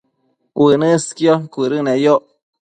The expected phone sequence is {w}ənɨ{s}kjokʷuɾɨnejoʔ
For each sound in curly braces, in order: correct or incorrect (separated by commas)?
correct, correct